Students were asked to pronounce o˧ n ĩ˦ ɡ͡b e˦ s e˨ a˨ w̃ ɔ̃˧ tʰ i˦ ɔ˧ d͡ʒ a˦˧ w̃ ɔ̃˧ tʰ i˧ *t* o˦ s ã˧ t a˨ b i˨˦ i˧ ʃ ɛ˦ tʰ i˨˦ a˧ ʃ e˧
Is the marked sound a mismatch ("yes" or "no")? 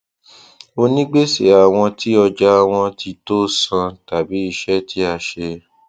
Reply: no